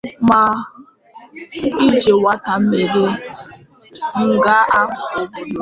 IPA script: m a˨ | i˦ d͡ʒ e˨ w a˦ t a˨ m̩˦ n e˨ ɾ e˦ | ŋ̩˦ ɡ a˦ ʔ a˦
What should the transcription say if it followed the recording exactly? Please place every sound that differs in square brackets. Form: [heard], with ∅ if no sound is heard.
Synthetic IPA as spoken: m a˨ | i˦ d͡ʒ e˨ w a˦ t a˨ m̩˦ [m] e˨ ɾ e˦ | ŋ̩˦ ɡ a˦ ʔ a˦